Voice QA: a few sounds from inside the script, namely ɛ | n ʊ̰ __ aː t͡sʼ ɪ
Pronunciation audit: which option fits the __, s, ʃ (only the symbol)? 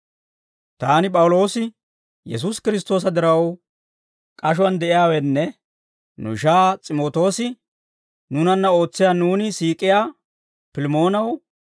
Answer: ʃ